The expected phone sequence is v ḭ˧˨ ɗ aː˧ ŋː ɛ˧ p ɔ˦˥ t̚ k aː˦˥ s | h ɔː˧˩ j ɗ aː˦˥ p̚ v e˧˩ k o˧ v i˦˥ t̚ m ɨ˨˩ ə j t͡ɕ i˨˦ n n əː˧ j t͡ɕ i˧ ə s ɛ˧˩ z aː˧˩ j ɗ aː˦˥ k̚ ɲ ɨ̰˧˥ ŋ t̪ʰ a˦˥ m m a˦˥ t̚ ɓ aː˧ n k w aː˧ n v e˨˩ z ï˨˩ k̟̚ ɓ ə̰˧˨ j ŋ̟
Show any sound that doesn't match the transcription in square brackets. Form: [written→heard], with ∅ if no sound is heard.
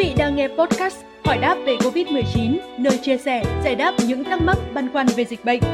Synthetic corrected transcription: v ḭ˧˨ ɗ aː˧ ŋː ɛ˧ p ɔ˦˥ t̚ k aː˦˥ s | h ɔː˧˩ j ɗ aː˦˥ p̚ v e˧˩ k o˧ v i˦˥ t̚ m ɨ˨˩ ə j t͡ɕ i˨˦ n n əː˧ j t͡ɕ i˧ ə s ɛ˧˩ z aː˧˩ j ɗ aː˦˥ [k̚→p̚] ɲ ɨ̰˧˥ ŋ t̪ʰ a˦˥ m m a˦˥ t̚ ɓ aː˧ n k w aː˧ n v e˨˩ z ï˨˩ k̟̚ ɓ ə̰˧˨ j ŋ̟